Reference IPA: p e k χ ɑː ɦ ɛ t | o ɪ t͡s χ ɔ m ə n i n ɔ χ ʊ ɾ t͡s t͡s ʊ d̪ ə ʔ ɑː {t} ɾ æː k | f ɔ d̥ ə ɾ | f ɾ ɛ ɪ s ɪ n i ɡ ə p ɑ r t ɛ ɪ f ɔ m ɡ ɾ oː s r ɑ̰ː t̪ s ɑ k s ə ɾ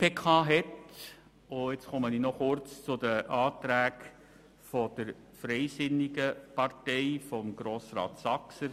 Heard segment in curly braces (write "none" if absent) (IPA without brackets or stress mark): t